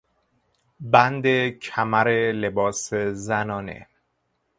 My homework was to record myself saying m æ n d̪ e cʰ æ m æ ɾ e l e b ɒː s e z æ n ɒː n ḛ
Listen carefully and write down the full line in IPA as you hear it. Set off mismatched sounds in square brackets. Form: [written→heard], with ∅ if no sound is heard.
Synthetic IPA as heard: [m→b] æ n d̪ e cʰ æ m æ ɾ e l e b ɒː s e z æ n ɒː n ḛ